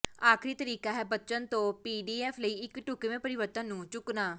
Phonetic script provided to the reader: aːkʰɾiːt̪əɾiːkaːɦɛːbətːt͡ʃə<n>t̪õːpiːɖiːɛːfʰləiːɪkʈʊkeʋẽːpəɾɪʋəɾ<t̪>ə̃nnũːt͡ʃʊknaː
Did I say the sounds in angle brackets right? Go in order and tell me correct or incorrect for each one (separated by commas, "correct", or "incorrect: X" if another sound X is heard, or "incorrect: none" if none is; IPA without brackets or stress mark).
correct, correct